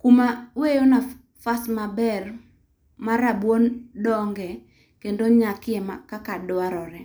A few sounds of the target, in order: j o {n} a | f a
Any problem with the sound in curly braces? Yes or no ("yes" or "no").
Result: no